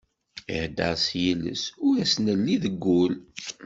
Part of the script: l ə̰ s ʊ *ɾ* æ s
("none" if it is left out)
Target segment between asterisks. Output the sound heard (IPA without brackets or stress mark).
ɾ